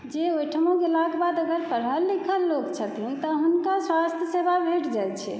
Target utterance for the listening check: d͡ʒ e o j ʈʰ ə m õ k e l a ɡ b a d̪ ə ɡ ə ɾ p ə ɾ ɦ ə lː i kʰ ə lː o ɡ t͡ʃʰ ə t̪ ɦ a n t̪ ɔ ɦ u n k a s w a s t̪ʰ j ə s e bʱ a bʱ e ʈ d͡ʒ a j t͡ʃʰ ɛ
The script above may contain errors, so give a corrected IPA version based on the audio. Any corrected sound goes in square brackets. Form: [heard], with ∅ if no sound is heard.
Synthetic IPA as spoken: d͡ʒ e o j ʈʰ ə m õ k e l a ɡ b a d̪ ə ɡ ə ɾ p ə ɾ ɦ ə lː i kʰ ə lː o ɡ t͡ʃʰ ə t̪ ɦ [i] n t̪ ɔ ɦ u n k a s w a s t̪ʰ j ə s e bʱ a bʱ e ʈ d͡ʒ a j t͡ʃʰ ɛ